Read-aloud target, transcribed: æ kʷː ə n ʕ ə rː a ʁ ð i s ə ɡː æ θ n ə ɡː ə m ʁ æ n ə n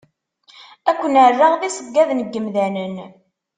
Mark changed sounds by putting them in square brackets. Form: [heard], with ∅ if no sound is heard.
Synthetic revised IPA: æ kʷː ə n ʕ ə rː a ʁ ð i s ə ɡː æ [ð] n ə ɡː ə m [ð] æ n ə n